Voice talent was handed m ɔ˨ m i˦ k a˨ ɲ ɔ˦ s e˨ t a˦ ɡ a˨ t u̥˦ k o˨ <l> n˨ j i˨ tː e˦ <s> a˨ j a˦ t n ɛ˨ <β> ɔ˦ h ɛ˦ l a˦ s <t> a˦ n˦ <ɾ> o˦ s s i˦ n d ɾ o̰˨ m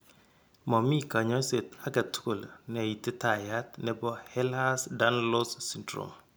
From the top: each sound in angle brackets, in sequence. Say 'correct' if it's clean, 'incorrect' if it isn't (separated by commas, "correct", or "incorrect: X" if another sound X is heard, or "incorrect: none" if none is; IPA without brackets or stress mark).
correct, incorrect: t, incorrect: b, incorrect: d, incorrect: l